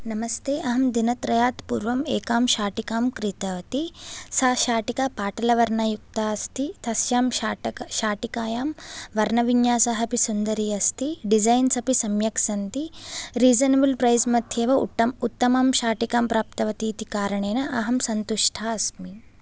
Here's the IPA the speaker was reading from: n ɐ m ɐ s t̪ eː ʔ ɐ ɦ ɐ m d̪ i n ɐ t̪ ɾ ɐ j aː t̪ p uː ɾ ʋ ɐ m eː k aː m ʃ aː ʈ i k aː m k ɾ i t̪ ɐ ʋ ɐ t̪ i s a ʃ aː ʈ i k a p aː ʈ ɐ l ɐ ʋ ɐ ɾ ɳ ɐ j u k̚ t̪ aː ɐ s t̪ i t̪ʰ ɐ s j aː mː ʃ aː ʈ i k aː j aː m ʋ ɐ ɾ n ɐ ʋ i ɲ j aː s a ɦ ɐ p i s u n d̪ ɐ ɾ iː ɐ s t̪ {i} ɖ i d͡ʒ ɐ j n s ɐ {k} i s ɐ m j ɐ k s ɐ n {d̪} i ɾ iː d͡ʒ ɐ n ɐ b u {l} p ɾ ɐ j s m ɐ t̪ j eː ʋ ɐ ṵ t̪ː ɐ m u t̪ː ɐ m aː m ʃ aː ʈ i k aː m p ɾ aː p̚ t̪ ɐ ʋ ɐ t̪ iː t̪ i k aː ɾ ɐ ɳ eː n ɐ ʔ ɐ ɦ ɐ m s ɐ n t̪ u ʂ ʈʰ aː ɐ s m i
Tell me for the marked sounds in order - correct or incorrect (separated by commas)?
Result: correct, incorrect, incorrect, correct